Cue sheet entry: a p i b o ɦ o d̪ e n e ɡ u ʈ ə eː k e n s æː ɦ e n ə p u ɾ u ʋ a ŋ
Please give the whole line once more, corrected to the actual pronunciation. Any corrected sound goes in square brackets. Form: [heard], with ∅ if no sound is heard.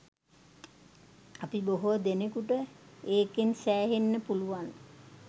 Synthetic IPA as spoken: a p i b o ɦ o d̪ e n e [k] u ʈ ə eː k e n s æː ɦ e [nː] ə p u [l] u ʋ a [n]